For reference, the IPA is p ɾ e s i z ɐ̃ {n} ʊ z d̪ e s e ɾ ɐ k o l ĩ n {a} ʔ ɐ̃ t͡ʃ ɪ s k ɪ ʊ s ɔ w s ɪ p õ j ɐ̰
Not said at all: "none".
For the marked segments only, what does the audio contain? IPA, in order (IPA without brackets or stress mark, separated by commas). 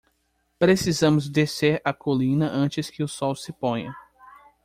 m, ɐ